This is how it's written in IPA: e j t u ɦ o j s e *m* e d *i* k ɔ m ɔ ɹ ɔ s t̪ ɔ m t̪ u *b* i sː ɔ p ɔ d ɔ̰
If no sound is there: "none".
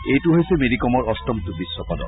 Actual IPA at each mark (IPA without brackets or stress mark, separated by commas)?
m, i, b